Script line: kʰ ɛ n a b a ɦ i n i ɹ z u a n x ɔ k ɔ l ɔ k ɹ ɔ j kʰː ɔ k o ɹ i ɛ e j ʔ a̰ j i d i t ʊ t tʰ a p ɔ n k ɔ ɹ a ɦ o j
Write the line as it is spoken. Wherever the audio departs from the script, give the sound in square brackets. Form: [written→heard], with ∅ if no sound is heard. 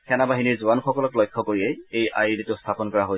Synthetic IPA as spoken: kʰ ɛ n a b a ɦ i n i ɹ z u a n x ɔ k ɔ l ɔ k [ɹ→l] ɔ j kʰː ɔ k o ɹ i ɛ e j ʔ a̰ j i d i t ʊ [t→s] tʰ a p ɔ n k ɔ ɹ a ɦ o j

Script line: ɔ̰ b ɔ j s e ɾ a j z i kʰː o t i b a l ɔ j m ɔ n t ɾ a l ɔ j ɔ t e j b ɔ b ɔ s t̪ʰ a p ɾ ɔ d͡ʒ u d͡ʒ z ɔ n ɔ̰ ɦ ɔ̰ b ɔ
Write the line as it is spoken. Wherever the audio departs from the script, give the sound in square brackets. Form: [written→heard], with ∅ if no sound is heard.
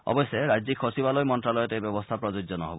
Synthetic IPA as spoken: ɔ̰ b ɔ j s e ɾ a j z i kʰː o [t→s] i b a l ɔ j m ɔ n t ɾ a l ɔ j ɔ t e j b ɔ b ɔ s t̪ʰ a p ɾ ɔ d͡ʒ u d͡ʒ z ɔ n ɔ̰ ɦ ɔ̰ b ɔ

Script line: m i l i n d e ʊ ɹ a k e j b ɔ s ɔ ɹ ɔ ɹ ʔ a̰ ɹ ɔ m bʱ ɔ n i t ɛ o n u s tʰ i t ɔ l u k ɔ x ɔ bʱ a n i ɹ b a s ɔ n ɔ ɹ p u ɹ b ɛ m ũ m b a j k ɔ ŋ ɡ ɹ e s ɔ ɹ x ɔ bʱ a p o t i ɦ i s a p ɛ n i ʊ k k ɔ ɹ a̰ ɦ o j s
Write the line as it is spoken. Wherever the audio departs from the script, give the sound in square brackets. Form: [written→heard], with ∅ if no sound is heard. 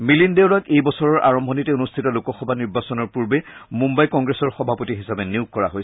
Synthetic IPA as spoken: m i l i n d e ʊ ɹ a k e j b ɔ s ɔ ɹ ɔ ɹ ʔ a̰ ɹ ɔ m bʱ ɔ n i t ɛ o n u s tʰ i t ɔ l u k ɔ x ɔ bʱ a n i ɹ b a s ɔ n ɔ ɹ p u ɹ b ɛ m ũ m b a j k ɔ ŋ ɡ ɹ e s ɔ ɹ x ɔ bʱ a p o t i ɦ i s a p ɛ n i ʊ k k ɔ ɹ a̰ ɦ o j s

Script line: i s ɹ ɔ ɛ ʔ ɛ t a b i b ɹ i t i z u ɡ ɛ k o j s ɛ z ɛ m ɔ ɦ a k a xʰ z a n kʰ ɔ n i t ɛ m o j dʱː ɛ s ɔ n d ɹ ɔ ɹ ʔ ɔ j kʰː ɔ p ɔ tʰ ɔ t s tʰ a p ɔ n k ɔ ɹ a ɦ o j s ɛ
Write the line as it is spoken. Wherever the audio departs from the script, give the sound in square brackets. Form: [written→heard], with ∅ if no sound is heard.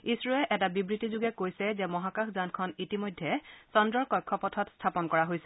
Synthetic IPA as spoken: i s ɹ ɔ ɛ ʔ ɛ t a b i b ɹ i t i z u ɡ ɛ k o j s ɛ z ɛ m ɔ ɦ a k a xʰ z a n kʰ ɔ n i t [ɛ→i] m o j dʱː ɛ s ɔ n d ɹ ɔ ɹ [ʔ→k] ɔ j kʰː ɔ p ɔ tʰ ɔ t s tʰ a p ɔ n k ɔ ɹ a ɦ o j s ɛ

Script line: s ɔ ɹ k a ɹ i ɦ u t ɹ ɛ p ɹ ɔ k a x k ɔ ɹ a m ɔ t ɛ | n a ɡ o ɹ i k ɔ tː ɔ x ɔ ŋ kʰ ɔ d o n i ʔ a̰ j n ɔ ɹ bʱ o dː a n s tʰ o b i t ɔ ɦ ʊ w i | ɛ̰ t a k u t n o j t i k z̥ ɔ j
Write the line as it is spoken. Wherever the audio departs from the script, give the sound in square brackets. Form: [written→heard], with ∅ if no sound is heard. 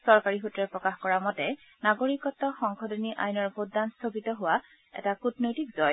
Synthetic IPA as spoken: s ɔ ɹ k a ɹ i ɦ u t ɹ ɛ p ɹ ɔ k a x k ɔ ɹ a m ɔ t ɛ | n a ɡ o ɹ i k ɔ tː ɔ x ɔ ŋ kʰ ɔ d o n i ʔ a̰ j n ɔ ɹ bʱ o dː a n s tʰ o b i t ɔ ɦ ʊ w [i→a] | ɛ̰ t a k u t n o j t i k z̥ ɔ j

